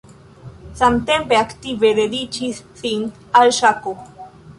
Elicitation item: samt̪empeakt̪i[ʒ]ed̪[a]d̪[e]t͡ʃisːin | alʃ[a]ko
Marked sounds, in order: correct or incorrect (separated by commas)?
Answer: incorrect, incorrect, incorrect, correct